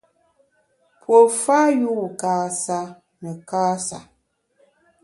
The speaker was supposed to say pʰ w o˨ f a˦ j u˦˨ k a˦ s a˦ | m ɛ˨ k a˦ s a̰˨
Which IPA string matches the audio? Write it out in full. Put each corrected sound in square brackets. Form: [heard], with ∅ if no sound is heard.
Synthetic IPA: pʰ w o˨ f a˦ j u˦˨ k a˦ s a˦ | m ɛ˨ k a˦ s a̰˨